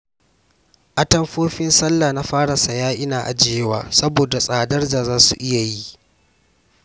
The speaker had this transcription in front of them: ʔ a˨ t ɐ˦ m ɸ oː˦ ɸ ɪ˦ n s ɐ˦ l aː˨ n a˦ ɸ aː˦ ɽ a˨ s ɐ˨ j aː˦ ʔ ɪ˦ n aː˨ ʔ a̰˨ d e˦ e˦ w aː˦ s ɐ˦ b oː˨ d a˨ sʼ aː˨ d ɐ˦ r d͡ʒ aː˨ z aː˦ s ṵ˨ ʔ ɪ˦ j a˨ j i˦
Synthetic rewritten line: ʔ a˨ t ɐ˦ m ɸ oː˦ ɸ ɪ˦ n s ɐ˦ lː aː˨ n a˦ ɸ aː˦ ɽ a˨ s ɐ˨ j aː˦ ʔ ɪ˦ n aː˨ ʔ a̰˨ d͡ʒ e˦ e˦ w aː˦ s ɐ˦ b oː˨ d a˨ sʼ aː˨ d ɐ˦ r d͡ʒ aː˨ z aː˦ s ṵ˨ ʔ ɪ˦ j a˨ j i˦